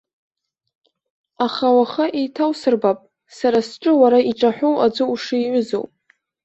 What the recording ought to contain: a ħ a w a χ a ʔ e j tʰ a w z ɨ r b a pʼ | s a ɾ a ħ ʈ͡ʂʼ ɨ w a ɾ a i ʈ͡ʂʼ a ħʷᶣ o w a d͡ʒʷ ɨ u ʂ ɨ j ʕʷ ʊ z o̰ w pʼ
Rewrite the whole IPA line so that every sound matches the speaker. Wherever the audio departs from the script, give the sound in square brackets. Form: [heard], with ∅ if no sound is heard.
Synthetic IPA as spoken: a [χ] a w a χ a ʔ e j tʰ a w [s] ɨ r b a pʼ | s a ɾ a [s] ʈ͡ʂʼ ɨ w a ɾ a i ʈ͡ʂʼ a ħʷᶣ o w a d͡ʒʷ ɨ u ʂ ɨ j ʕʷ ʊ z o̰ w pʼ